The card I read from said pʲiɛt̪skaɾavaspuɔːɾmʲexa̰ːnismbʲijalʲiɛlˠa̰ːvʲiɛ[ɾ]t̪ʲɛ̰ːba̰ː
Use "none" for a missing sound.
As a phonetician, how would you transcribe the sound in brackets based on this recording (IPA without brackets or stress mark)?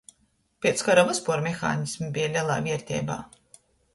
ɾ